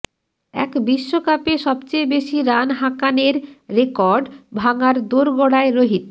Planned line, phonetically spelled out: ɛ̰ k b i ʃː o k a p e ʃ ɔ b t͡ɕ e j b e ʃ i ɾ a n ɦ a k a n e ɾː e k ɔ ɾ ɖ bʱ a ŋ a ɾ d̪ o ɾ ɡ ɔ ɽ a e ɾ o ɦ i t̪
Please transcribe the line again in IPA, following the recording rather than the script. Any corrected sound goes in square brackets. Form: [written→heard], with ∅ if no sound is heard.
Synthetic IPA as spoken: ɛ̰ k b i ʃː o k a p e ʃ ɔ b t͡ɕ e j b e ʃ i ɾ a n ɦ a k a n e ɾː e k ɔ ɾ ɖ bʱ a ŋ a ɾ d̪ o ɾ ɡ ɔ ɽ a e ɾ o ɦ i t̪